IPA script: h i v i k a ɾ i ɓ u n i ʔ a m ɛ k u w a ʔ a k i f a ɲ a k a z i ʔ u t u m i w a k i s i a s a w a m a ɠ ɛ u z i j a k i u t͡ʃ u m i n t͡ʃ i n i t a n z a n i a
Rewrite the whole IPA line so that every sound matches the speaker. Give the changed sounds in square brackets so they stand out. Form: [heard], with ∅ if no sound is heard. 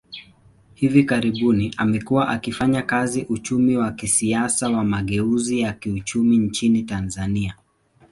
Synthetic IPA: h i v i k a ɾ i ɓ u n i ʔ a m ɛ k u w a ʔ a k i f a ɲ a k a z i ʔ u [t͡ʃ] u m i w a k i s i a s a w a m a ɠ ɛ u z i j a k i u t͡ʃ u m i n t͡ʃ i n i t a n z a n i a